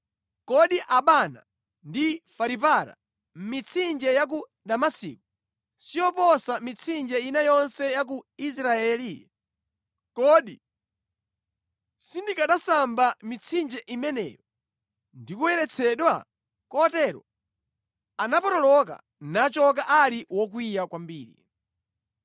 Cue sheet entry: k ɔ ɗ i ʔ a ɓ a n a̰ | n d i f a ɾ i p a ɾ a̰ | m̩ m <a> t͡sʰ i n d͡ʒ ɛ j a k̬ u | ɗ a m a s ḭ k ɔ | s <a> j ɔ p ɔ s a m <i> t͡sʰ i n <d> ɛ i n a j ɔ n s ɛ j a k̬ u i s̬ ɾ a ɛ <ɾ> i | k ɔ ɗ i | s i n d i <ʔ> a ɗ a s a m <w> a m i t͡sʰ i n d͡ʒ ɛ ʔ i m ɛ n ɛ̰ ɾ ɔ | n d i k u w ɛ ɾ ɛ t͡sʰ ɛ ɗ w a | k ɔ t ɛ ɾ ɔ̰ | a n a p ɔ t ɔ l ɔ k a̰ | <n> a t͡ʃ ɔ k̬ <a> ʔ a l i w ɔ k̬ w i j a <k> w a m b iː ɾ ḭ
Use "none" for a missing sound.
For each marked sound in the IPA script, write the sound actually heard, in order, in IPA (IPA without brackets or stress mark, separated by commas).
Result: i, i, i, d͡ʒ, l, k, b, n, a, k